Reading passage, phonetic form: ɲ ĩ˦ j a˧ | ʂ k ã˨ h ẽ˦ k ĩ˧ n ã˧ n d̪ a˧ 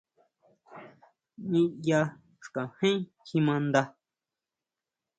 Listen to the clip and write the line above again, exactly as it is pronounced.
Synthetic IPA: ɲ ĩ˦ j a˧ | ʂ k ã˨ h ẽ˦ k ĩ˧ m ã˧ n d̪ a˧